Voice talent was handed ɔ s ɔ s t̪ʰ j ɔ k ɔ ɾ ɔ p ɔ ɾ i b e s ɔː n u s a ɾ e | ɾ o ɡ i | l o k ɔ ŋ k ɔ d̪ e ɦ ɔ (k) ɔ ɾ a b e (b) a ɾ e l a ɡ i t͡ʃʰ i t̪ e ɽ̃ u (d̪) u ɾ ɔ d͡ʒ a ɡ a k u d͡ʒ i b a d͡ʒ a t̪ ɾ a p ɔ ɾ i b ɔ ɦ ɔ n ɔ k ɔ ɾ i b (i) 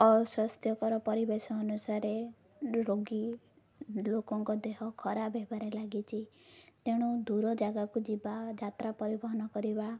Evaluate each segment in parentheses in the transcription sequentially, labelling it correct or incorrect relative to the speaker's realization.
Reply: incorrect, correct, correct, incorrect

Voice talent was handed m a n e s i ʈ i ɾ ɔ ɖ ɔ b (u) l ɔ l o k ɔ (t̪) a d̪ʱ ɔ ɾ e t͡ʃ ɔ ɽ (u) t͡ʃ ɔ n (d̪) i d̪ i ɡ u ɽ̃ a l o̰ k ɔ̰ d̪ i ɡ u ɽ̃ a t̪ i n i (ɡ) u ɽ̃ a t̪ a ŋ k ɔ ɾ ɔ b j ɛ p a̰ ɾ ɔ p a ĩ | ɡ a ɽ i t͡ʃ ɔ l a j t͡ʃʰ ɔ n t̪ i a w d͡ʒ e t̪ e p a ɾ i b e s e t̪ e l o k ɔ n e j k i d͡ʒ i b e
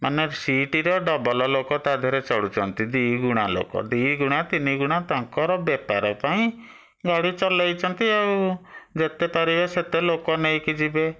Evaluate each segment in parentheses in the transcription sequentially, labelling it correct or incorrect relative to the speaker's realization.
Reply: incorrect, correct, correct, incorrect, correct

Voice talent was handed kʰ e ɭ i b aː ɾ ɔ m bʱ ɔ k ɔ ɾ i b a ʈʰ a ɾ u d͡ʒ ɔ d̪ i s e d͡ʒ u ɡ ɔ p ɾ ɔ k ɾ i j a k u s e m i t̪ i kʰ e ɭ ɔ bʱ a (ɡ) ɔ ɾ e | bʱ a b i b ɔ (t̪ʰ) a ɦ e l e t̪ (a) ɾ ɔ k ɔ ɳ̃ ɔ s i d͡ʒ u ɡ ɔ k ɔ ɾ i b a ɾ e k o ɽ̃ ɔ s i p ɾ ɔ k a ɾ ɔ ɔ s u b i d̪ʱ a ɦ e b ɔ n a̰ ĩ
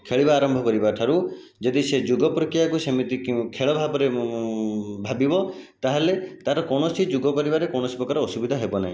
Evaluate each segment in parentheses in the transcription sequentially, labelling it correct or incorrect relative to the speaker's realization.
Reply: incorrect, incorrect, correct

